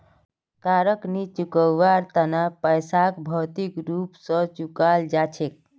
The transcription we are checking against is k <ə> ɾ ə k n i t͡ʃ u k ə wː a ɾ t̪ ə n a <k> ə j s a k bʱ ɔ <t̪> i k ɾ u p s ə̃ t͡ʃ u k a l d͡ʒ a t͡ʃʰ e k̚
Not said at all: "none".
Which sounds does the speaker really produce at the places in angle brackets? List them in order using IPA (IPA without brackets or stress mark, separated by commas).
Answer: a, p, t̪